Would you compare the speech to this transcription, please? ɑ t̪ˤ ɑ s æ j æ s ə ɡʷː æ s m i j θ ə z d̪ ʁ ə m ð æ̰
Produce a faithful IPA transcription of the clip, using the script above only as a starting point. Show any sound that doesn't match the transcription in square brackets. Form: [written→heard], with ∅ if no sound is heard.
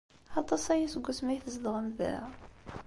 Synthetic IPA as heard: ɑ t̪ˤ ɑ s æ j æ s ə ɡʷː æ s m [i→æ] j θ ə z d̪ ʁ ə m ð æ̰